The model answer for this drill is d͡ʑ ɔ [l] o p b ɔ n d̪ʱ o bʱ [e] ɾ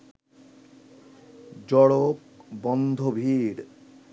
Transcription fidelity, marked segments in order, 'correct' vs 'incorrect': incorrect: ɽ, incorrect: i

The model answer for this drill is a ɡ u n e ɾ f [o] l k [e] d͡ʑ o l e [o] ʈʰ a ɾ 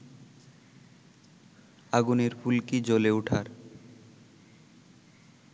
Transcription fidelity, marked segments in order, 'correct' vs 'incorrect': incorrect: u, incorrect: i, incorrect: u

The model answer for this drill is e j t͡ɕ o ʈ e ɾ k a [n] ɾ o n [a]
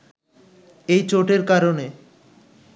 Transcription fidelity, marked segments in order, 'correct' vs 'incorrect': incorrect: none, incorrect: e

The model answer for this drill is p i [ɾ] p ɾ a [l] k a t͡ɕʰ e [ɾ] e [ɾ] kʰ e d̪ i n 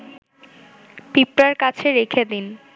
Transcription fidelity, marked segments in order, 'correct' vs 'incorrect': incorrect: none, incorrect: ɾ, correct, incorrect: none

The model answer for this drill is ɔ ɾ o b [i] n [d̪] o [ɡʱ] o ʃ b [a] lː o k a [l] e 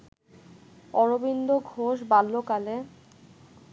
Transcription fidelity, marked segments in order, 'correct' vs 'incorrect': correct, correct, correct, correct, correct

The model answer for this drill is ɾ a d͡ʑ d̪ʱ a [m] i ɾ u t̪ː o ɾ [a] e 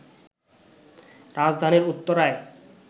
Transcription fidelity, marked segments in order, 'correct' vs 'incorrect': incorrect: n, correct

